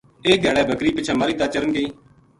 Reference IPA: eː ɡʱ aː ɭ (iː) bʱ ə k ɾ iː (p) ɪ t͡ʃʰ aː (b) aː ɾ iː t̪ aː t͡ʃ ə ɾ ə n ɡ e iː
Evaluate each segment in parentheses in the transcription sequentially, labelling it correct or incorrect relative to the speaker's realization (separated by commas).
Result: incorrect, correct, incorrect